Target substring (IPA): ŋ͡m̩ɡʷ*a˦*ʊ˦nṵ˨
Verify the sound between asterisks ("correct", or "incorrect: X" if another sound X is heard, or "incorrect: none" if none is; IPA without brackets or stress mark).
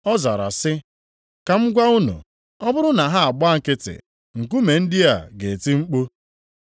correct